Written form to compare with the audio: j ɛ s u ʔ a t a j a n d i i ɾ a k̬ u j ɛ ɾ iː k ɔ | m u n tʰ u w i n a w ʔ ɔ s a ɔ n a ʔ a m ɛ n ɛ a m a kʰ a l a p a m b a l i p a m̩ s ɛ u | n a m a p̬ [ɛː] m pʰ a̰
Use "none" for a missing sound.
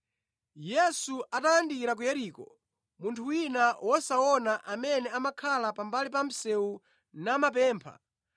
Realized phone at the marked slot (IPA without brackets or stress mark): ɛː